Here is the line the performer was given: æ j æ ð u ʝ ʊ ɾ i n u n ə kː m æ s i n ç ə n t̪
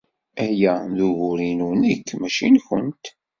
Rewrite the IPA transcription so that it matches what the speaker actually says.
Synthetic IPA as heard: æ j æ ð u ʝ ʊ ɾ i n u n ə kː m æ ʃ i n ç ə n t̪